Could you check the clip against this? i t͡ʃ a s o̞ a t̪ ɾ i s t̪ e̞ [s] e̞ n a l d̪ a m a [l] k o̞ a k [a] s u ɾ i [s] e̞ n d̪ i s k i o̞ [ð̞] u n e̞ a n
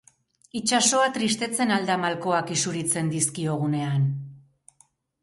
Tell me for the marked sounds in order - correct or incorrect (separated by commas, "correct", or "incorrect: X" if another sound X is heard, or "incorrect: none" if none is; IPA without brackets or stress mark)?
incorrect: t͡s, correct, incorrect: i, incorrect: t͡s, incorrect: ɣ̞